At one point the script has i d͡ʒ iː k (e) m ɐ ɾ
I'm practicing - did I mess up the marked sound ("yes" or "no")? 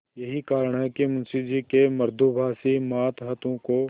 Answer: no